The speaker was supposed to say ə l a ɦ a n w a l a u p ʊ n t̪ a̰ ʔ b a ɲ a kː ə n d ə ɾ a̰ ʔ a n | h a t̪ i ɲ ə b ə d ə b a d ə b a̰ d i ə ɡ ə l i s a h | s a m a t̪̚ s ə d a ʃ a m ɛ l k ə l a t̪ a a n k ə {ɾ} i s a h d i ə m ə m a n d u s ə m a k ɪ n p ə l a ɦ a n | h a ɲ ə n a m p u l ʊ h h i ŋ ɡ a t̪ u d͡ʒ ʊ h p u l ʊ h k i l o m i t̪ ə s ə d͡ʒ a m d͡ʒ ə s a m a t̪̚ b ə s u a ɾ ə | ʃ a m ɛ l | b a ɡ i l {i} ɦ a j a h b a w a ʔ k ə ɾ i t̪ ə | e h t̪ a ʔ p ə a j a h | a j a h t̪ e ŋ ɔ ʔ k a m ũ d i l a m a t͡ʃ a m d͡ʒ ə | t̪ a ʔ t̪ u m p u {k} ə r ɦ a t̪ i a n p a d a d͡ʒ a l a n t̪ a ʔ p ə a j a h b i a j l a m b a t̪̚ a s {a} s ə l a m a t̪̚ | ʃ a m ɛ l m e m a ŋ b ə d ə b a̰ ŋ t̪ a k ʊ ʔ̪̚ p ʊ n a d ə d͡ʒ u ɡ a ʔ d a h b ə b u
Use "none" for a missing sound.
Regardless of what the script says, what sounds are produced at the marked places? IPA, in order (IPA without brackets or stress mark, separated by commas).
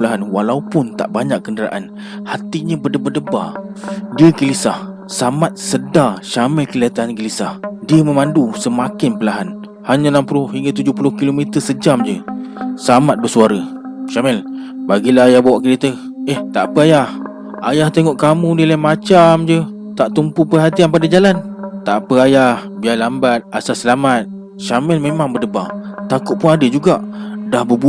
l, a, p, a